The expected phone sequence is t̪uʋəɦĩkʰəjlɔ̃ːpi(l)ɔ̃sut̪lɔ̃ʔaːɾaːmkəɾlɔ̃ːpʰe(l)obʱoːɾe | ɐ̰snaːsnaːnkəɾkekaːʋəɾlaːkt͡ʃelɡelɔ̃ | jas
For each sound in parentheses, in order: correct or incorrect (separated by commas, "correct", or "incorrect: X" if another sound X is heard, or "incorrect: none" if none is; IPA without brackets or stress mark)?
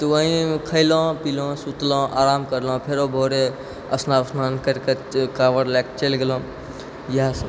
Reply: correct, incorrect: ɾ